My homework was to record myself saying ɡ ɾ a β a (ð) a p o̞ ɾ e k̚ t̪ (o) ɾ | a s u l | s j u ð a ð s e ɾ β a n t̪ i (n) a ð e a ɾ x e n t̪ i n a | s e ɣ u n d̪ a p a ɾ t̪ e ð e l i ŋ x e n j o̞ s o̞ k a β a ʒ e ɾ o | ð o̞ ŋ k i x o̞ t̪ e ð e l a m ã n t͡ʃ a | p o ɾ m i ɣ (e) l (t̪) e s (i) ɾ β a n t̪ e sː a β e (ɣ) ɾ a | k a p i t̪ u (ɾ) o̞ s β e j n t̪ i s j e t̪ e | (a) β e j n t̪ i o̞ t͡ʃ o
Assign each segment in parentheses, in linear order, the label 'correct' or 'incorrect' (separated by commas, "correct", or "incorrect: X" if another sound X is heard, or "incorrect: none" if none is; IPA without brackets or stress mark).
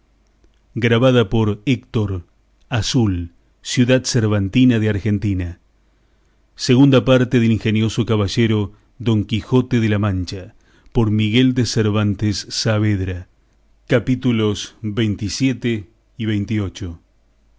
correct, correct, correct, correct, incorrect: d̪, incorrect: e, incorrect: ð, incorrect: l, incorrect: i